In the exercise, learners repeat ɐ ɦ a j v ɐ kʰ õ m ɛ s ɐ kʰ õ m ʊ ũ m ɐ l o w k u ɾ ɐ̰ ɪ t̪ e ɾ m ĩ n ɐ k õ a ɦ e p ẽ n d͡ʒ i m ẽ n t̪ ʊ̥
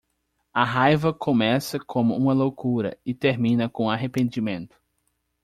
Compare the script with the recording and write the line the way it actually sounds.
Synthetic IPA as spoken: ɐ ɦ a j v ɐ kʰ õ m ɛ s ɐ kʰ õ m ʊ ũ m ɐ l o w k u ɾ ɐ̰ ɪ t̪ e ɾ m ĩ n ɐ k õ a ɦ e p ẽ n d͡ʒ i m ẽ n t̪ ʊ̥

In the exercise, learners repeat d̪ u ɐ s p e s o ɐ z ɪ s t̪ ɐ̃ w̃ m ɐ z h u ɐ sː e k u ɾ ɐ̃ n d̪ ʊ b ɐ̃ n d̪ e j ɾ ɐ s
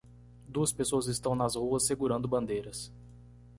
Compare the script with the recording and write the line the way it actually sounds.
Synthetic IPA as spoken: d̪ u ɐ s p e s o ɐ z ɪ s t̪ ɐ̃ w̃ n ɐ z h u ɐ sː e ɡ u ɾ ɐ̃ n d̪ ʊ b ɐ̃ n d̪ e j ɾ ɐ s

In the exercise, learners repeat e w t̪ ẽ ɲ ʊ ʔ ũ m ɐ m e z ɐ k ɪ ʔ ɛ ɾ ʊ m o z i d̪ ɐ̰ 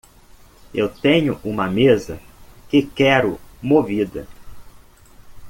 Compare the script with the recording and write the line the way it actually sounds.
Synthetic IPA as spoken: e w t̪ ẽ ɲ ʊ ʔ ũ m ɐ m e z ɐ k ɪ k ɛ ɾ ʊ m o v i d̪ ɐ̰

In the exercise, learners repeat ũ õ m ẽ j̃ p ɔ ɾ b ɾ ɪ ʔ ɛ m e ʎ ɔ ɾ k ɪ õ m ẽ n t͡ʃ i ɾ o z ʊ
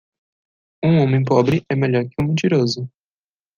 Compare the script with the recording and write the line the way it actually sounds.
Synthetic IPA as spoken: ũ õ m ẽ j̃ p ɔ b ɾ ɪ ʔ ɛ m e ʎ ɔ ɾ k ɪ ũ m ẽ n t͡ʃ i ɾ o z ʊ

